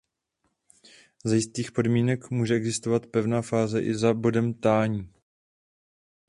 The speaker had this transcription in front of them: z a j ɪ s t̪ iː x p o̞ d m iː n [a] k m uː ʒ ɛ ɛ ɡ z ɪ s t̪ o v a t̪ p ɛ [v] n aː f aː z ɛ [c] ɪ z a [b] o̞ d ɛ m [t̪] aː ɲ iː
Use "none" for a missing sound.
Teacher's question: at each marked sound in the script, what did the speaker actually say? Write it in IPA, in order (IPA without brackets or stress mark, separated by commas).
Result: ɛ, v, ʔ, b, t̪